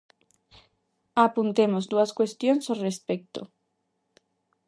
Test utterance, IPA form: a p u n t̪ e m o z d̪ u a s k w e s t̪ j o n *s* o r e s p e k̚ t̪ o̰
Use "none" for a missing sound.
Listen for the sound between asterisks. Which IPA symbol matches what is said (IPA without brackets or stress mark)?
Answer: s